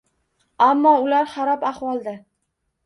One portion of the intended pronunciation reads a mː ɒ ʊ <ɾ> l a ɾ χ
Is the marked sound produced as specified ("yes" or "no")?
no